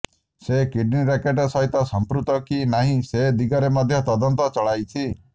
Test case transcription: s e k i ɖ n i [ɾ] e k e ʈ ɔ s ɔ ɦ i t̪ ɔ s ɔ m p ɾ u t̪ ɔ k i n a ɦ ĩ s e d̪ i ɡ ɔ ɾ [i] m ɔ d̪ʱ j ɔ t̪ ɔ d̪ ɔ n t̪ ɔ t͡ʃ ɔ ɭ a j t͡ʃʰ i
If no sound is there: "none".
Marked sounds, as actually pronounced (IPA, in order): ɾ, e

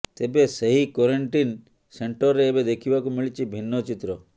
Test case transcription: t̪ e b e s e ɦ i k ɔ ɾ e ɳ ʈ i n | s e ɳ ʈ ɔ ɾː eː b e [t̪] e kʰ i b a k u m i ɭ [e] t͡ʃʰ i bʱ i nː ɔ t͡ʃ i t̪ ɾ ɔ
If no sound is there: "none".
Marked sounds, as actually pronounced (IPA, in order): d̪, i

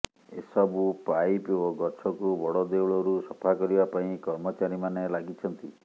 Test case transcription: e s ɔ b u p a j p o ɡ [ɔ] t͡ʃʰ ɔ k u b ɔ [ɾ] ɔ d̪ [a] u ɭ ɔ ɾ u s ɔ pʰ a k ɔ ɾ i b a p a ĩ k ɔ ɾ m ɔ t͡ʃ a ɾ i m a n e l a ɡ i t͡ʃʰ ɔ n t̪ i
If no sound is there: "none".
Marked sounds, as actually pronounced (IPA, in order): ɔ, ɽ, e

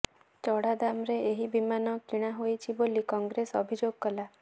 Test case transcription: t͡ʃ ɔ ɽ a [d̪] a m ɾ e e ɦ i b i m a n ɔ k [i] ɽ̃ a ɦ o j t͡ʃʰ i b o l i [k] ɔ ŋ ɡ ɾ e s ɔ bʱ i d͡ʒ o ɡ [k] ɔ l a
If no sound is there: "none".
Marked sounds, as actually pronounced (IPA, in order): d̪, i, k, k

